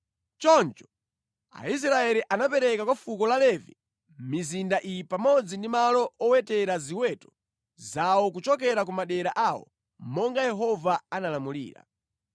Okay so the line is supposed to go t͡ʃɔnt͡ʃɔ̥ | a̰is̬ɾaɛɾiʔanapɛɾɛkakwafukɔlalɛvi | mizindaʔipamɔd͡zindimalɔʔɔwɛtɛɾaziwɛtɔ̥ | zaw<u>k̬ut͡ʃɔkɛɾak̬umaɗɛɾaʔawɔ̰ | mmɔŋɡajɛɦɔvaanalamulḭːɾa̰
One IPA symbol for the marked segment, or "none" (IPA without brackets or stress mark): ɔ